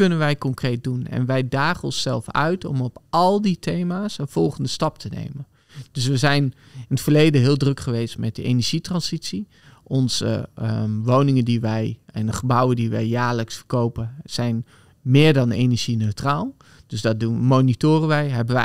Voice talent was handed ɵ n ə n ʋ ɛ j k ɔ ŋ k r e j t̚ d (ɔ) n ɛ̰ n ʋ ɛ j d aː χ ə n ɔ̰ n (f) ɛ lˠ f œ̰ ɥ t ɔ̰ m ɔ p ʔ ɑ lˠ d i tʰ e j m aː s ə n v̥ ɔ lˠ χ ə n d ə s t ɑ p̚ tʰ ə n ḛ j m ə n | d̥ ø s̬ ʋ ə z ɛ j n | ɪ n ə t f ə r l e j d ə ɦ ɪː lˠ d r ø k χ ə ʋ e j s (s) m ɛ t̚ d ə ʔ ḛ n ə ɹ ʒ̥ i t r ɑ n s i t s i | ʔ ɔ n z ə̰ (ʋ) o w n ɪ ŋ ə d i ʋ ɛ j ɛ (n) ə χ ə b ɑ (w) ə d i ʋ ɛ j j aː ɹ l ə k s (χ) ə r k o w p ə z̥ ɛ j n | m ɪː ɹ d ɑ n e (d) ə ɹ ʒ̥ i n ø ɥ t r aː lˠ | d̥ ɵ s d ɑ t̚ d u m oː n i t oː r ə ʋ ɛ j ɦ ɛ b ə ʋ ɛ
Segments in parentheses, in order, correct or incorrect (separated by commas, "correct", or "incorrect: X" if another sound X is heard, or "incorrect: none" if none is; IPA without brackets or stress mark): incorrect: u, incorrect: s, incorrect: t, correct, correct, correct, incorrect: f, incorrect: n